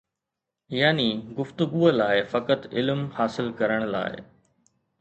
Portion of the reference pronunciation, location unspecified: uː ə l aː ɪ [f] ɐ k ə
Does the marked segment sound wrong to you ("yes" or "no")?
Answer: no